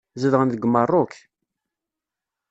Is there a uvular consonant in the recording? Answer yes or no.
yes